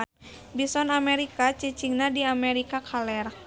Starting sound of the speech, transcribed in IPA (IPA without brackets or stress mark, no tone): b